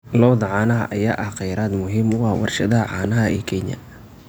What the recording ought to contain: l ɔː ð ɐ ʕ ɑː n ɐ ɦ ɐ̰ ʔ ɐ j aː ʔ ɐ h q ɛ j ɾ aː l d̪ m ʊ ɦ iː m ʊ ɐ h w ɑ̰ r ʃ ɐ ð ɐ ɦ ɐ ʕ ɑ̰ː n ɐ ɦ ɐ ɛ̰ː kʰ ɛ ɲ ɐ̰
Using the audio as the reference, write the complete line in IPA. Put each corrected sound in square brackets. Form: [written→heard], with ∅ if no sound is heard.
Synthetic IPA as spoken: l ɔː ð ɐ ʕ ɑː n ɐ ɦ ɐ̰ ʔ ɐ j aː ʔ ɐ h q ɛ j ɾ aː [l→∅] d̪ m ʊ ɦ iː m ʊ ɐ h w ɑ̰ r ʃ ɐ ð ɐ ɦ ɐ ʕ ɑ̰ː n ɐ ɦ ɐ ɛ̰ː kʰ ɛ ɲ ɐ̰